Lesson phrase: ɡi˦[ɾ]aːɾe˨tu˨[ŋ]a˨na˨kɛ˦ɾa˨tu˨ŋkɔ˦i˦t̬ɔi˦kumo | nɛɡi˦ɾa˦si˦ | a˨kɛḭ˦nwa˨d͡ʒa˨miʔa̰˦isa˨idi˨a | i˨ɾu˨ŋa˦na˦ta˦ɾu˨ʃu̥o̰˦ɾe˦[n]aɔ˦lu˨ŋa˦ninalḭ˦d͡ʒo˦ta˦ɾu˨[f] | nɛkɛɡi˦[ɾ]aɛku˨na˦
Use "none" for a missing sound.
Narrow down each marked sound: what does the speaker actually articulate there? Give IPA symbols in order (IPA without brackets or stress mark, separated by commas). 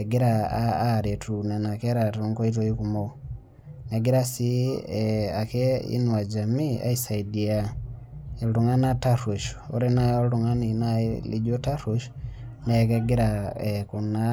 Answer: ɾ, n, n, ʃ, ɾ